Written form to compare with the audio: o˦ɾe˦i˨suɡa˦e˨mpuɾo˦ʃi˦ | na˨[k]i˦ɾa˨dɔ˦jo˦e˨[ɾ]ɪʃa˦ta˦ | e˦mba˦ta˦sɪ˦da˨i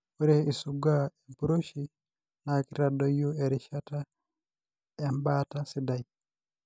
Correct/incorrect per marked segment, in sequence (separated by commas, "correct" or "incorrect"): correct, correct